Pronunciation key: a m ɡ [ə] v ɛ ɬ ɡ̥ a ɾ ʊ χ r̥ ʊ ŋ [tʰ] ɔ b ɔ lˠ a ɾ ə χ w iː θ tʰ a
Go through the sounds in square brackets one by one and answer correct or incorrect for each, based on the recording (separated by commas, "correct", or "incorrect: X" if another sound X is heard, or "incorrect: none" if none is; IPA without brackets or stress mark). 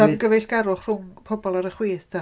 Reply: correct, incorrect: pʰ